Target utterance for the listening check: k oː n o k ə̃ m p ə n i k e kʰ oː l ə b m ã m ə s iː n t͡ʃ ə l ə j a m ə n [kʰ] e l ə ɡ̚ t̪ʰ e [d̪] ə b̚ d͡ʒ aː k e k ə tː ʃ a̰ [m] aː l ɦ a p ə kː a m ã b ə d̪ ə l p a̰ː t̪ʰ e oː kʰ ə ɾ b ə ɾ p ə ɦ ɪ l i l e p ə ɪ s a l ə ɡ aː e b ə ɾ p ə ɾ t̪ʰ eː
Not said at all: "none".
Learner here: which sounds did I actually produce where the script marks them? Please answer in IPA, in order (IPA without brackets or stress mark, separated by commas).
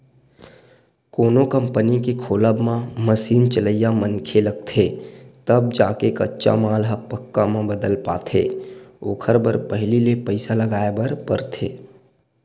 kʰ, t̪, m